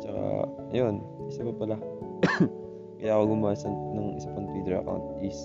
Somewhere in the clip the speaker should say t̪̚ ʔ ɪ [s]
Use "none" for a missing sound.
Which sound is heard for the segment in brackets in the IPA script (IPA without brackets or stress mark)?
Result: s